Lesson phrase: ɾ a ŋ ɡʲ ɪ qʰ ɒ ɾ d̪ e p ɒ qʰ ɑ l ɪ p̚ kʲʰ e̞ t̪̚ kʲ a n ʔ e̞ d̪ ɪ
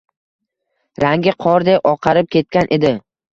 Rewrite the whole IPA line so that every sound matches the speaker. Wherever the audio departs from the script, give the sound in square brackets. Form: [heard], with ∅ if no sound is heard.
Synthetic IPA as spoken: ɾ a ŋ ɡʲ ɪ qʰ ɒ ɾ d̪ e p ɒ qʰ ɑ [ɾ] ɪ p̚ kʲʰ e̞ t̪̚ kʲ a n ʔ e̞ d̪ ɪ